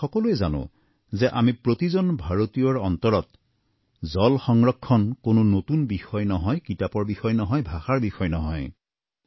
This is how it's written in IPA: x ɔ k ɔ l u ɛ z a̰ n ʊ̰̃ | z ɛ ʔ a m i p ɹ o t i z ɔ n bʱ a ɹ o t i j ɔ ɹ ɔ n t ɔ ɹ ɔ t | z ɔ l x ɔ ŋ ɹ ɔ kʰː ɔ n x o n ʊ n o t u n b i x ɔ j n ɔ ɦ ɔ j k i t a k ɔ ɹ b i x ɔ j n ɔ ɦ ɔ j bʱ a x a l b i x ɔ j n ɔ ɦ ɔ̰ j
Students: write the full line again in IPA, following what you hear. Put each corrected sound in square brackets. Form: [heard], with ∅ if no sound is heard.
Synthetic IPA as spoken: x ɔ k ɔ l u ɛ z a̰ n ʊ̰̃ | z ɛ ʔ a m i p ɹ o t i z ɔ n bʱ a ɹ o t i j ɔ ɹ ɔ n t ɔ ɹ ɔ t | z ɔ l x ɔ ŋ ɹ ɔ kʰː ɔ n [k] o n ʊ n o t u n b i x ɔ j n ɔ ɦ ɔ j k i t a [p] ɔ ɹ b i x ɔ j n ɔ ɦ ɔ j bʱ a x a [ɹ] b i x ɔ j n ɔ ɦ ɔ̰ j